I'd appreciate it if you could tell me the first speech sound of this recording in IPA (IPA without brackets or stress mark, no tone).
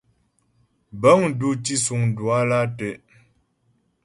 b